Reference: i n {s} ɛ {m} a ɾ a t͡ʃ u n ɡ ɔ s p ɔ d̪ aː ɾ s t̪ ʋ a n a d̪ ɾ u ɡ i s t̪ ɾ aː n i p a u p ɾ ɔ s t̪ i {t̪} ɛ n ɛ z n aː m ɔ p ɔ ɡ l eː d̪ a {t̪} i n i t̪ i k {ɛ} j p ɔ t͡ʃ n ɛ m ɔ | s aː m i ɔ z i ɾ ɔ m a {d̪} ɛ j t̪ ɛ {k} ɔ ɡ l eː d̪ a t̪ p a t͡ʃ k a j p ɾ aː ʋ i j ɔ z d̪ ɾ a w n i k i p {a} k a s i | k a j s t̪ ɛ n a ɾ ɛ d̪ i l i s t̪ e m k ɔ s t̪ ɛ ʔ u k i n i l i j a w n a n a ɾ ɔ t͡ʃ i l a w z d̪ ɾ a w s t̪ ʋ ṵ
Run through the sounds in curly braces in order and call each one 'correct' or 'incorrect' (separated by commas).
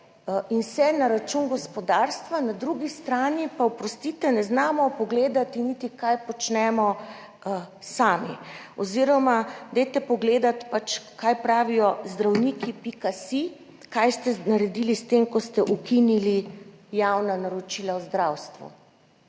correct, incorrect, correct, correct, incorrect, correct, incorrect, incorrect